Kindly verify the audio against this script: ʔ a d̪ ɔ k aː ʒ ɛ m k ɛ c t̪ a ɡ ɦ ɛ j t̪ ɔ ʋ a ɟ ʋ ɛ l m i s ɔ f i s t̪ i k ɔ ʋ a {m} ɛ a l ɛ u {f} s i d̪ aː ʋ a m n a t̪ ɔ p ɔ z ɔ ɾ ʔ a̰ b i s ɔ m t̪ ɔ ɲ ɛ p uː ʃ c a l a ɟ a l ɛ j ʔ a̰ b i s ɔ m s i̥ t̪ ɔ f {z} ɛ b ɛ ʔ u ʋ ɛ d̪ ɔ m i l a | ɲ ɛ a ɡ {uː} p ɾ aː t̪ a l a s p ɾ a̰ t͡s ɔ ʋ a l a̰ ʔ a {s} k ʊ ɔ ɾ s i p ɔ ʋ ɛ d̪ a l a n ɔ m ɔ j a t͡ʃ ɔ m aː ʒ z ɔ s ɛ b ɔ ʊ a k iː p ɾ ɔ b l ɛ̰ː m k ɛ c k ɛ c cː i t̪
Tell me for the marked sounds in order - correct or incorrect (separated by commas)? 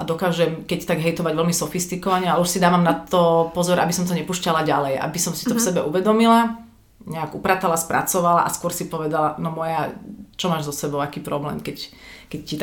incorrect, incorrect, incorrect, incorrect, correct